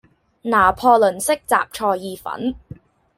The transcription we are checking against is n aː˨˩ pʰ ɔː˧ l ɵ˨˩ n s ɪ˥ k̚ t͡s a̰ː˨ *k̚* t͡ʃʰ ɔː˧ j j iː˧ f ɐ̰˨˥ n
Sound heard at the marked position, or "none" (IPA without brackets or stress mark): p̚